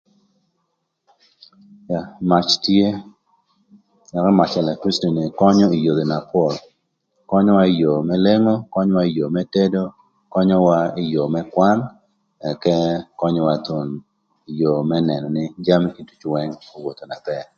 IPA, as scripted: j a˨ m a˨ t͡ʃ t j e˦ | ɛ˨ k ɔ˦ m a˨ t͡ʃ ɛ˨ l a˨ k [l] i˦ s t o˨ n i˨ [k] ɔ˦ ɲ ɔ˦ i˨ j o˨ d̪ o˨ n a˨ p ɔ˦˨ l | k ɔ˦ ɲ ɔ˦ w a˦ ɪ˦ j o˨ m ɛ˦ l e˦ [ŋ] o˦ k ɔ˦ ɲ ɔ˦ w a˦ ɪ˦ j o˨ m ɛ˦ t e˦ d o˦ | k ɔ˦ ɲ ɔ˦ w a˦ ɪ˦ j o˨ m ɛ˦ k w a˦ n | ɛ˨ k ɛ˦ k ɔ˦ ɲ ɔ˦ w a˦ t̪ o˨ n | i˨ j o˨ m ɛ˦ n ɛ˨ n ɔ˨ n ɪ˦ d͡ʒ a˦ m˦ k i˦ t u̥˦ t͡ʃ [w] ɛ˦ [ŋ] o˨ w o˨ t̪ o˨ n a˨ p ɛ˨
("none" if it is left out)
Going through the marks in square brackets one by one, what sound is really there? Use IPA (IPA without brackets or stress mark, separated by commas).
ɾ, k, ŋ, w, ŋ